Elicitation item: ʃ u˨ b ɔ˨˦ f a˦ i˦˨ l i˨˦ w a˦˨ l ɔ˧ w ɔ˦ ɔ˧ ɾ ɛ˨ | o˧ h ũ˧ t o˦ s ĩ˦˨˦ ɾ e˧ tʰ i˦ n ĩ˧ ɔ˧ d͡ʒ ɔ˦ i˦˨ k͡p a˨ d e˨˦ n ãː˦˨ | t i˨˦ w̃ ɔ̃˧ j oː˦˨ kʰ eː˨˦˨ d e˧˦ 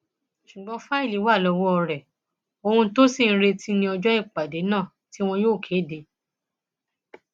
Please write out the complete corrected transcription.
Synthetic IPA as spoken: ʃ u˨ ɡ͡b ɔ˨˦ f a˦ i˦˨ l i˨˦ w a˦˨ l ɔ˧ w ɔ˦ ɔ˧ ɾ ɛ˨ | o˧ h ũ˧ t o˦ s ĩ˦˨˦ ɾ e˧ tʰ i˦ n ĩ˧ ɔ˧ d͡ʒ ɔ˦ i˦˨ k͡p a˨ d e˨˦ n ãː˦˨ | t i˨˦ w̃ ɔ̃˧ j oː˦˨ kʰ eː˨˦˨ d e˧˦